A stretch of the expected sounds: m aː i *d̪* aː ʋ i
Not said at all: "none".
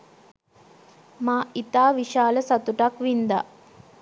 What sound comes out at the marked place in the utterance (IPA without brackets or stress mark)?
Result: t̪